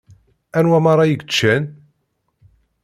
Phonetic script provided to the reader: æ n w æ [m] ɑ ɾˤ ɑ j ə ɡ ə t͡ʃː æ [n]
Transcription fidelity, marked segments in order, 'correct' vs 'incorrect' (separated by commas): correct, correct